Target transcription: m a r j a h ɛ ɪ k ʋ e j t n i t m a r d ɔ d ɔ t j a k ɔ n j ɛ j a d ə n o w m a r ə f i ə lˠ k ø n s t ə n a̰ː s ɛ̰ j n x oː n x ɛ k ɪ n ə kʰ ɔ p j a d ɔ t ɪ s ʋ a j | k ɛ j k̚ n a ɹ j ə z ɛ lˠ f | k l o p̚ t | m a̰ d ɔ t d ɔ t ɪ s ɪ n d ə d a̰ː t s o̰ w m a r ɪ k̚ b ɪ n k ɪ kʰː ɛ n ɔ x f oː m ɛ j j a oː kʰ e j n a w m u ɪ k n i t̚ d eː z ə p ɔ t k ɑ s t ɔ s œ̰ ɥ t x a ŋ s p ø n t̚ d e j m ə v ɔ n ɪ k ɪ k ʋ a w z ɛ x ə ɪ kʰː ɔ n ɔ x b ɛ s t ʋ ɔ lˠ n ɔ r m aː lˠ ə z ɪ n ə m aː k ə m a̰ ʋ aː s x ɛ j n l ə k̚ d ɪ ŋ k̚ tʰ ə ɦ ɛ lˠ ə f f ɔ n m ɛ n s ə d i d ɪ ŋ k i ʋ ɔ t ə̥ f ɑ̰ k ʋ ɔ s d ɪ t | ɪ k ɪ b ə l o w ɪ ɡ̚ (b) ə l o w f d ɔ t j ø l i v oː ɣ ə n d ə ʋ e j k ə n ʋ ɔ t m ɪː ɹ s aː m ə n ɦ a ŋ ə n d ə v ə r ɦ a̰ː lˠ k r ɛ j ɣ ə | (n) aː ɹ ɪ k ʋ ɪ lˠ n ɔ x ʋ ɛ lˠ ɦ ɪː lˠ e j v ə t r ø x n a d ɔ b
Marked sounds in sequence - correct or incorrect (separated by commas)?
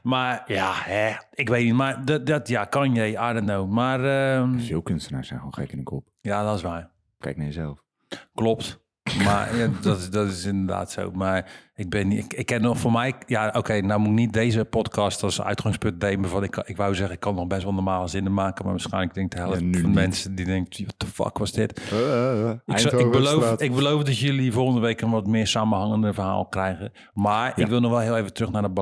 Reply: correct, incorrect